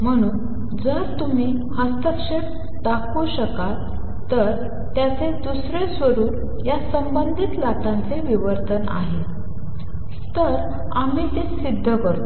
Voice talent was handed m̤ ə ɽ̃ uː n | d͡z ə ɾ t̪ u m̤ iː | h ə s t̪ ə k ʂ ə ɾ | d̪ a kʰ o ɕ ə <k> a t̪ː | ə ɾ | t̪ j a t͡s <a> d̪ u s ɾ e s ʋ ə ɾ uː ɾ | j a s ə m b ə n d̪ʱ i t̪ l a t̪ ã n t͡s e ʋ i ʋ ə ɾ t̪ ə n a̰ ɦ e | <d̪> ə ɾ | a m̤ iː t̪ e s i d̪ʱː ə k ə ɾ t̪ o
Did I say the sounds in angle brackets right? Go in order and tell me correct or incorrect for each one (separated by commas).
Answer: correct, incorrect, incorrect